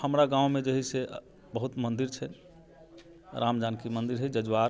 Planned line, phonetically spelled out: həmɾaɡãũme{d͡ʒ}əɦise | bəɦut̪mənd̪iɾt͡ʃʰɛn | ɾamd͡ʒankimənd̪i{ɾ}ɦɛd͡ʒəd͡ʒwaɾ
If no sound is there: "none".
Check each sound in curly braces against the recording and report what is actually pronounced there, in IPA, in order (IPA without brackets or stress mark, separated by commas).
d͡ʒ, ɾ